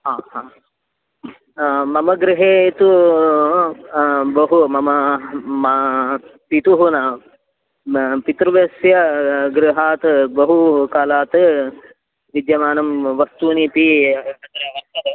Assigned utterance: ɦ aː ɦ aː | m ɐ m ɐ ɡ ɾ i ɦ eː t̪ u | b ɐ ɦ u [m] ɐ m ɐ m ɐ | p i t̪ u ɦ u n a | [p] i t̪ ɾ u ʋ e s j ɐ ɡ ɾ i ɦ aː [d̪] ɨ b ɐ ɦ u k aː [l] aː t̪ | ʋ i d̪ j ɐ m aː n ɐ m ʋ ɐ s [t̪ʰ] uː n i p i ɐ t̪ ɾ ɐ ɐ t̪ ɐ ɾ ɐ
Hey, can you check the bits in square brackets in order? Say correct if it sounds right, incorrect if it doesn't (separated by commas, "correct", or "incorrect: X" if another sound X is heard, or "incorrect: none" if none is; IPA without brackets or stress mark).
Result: correct, correct, incorrect: t̪, correct, incorrect: t̪